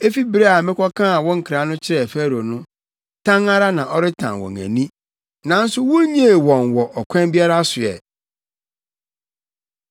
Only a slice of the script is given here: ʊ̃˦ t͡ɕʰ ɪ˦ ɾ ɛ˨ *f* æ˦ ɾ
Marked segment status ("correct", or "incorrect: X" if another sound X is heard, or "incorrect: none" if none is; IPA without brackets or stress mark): correct